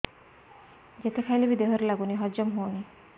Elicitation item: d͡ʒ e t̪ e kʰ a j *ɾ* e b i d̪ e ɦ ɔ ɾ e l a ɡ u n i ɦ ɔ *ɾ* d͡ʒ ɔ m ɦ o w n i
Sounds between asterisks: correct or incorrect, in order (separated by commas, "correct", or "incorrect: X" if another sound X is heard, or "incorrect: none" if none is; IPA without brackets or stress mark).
incorrect: l, incorrect: none